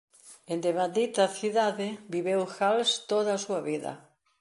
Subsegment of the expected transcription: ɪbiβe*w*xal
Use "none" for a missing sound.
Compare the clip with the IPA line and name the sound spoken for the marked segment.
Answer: w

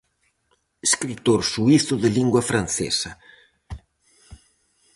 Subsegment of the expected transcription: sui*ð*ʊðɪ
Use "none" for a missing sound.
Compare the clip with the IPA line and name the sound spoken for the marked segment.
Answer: θ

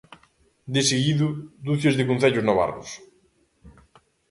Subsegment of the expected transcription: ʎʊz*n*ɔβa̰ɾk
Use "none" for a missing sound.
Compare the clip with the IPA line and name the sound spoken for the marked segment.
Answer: n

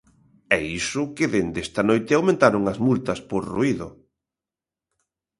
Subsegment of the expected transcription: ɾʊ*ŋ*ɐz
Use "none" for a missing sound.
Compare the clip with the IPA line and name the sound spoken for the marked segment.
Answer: ŋ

